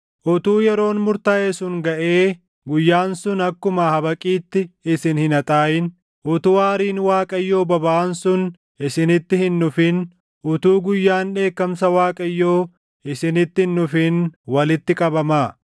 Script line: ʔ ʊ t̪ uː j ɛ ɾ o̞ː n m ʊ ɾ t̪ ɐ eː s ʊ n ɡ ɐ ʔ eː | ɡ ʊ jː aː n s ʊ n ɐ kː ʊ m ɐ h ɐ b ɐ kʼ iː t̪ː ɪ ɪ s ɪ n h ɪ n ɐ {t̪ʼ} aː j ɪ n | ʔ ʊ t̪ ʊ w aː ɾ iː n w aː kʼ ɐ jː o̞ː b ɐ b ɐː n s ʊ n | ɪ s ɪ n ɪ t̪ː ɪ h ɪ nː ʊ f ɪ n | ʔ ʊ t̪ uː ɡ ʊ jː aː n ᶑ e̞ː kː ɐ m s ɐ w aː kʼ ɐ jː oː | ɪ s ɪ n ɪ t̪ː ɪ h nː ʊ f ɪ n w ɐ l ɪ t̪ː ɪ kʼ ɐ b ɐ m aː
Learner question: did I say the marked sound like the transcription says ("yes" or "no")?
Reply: yes